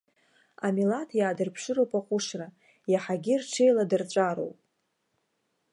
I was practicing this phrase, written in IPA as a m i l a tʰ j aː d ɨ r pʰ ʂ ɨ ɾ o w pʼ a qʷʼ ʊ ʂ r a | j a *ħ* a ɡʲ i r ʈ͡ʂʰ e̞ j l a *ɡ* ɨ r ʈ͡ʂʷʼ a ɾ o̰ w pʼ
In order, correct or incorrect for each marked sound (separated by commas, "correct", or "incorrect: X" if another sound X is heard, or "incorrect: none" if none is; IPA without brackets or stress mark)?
correct, incorrect: d